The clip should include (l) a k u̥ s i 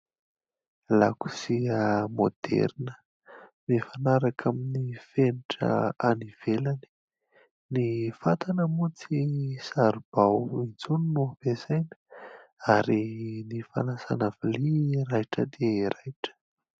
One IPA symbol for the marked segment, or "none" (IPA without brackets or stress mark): l